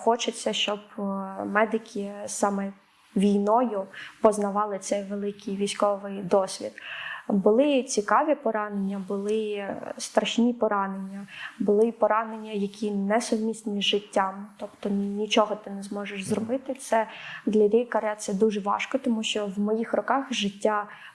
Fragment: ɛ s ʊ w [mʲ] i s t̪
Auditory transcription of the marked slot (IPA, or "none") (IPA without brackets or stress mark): mʲ